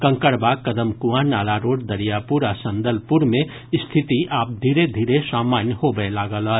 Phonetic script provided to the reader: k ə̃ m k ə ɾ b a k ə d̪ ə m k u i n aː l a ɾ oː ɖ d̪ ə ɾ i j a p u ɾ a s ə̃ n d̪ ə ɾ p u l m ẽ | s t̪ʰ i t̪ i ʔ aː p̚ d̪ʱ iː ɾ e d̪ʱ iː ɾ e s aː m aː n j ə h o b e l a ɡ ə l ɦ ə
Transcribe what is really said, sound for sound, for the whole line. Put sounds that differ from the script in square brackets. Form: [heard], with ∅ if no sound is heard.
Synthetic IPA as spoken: k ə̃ [ŋ] k ə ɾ b a k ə d̪ ə m k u [a] n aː l a ɾ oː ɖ d̪ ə ɾ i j a p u ɾ a s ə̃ n d̪ ə [l] p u [ɾ] m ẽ | s t̪ʰ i t̪ i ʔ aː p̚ d̪ʱ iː ɾ e d̪ʱ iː ɾ e s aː m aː n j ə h o b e l a ɡ ə l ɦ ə